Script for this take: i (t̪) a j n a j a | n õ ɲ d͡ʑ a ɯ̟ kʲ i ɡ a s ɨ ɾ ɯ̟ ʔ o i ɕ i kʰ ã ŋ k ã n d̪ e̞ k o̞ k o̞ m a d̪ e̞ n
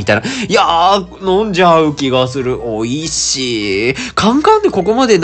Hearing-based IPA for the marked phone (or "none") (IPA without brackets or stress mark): t̪